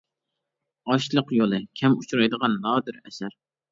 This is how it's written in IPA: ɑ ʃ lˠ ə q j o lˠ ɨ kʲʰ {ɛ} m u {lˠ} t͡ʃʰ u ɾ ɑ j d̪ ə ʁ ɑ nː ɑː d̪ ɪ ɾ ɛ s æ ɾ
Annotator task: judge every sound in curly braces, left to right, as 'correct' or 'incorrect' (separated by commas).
correct, incorrect